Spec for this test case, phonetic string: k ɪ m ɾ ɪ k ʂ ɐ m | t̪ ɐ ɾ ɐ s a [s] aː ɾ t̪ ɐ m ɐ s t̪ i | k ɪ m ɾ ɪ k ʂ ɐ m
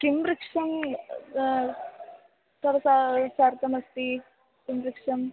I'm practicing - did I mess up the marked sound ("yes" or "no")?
no